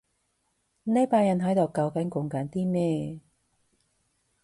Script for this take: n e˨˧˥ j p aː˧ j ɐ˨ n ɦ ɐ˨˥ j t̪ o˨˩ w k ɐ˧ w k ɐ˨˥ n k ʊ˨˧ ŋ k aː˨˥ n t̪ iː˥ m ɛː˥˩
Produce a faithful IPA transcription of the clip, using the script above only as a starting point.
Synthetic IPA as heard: n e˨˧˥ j p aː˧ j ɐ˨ n ɦ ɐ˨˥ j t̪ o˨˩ w k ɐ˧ w k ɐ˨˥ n k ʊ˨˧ ŋ k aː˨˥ n t̪ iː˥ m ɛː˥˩